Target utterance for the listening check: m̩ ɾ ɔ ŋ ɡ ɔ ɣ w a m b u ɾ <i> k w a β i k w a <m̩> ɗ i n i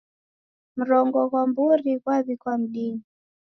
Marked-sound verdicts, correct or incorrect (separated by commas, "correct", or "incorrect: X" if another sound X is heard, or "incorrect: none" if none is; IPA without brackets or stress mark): correct, correct